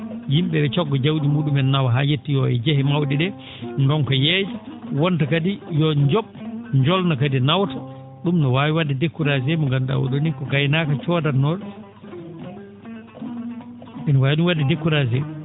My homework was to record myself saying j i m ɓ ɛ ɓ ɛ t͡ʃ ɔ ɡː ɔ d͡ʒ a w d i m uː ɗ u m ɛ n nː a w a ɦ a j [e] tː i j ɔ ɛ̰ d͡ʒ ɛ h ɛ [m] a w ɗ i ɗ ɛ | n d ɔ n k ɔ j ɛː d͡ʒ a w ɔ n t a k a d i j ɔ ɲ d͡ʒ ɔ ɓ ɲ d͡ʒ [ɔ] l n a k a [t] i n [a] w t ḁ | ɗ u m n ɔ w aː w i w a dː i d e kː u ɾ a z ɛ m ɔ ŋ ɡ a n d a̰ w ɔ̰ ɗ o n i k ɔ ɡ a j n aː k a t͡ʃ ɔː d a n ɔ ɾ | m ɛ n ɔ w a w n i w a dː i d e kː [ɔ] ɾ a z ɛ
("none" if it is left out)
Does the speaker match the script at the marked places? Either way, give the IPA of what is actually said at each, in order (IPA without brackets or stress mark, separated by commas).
e, m, ɔ, d, a, u